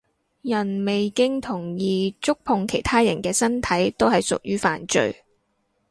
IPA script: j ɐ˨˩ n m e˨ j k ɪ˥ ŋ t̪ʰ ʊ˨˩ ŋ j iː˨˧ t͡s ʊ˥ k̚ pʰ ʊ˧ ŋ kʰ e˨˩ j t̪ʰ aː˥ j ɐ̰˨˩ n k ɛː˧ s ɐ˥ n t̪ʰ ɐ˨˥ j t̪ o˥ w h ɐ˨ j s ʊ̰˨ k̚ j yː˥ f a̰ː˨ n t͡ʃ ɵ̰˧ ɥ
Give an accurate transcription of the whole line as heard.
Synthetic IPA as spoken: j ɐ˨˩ n m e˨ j k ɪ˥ ŋ t̪ʰ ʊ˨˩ ŋ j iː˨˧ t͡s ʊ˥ k̚ pʰ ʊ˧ ŋ kʰ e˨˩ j t̪ʰ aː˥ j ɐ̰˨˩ n k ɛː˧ s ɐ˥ n t̪ʰ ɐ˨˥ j t̪ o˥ w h ɐ˨ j s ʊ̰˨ k̚ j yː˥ f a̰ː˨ n t͡ʃ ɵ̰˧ ɥ